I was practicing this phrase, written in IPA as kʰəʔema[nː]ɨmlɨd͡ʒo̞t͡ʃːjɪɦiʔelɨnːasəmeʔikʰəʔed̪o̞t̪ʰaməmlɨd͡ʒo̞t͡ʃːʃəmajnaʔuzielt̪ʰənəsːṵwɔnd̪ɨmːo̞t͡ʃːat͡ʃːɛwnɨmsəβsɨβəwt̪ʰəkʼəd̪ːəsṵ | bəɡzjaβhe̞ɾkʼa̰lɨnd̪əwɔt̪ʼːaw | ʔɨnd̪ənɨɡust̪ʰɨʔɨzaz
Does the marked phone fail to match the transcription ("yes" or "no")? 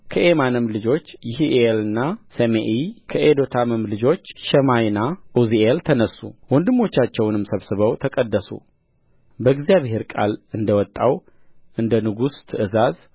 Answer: yes